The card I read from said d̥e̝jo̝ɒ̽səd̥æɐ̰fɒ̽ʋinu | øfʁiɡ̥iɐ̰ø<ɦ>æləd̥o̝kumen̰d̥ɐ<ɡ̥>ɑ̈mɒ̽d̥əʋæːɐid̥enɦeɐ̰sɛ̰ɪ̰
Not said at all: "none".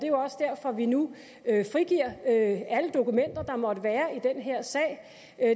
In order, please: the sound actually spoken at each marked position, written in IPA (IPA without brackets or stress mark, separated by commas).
none, d̥